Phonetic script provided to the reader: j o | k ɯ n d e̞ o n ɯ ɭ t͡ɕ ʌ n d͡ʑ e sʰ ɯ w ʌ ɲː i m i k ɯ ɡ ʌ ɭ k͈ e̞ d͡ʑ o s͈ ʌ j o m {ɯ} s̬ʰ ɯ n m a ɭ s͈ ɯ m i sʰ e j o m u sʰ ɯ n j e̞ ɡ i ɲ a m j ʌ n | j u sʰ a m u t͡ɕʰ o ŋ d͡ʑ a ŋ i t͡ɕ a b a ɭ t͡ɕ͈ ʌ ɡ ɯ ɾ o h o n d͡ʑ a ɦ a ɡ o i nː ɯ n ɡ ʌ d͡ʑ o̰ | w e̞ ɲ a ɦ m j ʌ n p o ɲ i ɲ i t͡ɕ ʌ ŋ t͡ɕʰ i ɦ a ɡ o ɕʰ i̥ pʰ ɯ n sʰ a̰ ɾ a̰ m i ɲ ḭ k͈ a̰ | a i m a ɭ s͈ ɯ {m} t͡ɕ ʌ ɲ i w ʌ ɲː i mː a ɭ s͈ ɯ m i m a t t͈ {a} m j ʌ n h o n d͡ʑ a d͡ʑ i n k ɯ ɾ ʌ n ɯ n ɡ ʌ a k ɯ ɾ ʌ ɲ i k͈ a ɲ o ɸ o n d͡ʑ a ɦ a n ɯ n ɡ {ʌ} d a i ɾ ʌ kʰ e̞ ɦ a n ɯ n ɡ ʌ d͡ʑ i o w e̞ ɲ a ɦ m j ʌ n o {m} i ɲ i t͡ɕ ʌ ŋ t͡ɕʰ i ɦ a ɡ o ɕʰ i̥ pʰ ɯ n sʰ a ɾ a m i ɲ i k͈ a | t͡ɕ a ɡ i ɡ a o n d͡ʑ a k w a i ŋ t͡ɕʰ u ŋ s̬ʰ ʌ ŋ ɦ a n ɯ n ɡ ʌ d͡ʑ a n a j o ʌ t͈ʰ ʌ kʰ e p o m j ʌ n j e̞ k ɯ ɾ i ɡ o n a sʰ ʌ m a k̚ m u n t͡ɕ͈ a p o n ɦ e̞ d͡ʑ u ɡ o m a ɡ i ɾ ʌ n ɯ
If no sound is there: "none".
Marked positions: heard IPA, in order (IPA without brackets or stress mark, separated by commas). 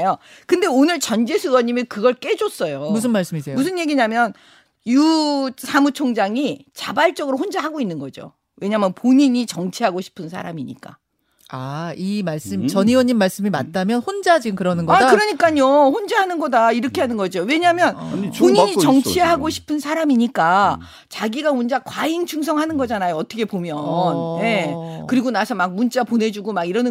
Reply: u, m, a, ʌ, ɲ